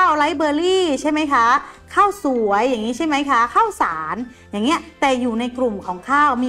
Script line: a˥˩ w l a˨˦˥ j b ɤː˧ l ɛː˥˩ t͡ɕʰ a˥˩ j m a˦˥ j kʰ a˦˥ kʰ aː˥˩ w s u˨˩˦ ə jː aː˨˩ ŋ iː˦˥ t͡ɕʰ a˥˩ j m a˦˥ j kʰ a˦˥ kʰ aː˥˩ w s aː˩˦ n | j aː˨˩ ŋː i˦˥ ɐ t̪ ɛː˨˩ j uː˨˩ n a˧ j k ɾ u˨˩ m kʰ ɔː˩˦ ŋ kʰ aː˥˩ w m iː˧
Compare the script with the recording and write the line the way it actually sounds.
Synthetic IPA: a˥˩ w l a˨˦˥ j b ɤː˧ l iː˥˩ t͡ɕʰ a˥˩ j m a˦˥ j kʰ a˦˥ kʰ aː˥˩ w s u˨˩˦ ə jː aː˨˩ ŋ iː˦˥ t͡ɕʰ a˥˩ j m a˦˥ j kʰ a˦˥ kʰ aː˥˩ w s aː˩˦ n | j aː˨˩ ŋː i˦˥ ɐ t̪ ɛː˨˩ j uː˨˩ n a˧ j k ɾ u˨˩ m kʰ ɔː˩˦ ŋ kʰ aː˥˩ w m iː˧